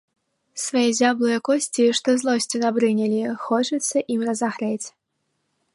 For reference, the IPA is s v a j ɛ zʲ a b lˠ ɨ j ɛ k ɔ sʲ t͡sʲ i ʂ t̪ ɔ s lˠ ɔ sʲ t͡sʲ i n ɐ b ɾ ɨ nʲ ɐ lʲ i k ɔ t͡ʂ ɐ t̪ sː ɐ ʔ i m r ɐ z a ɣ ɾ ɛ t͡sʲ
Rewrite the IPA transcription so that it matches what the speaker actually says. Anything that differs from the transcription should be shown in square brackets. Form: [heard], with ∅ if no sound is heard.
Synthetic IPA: s v a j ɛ zʲ a b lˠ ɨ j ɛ k ɔ sʲ t͡sʲ i ʂ t̪ ɔ [z] lˠ ɔ sʲ t͡sʲ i n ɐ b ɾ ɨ nʲ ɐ lʲ i [x] ɔ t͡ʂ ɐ t̪ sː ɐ ʔ i m r ɐ z a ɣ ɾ ɛ t͡sʲ